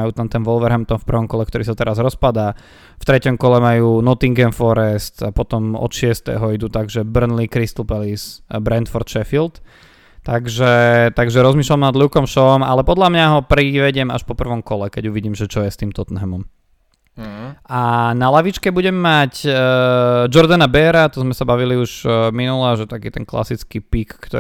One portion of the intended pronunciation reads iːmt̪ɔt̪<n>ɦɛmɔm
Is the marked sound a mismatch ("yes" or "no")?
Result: no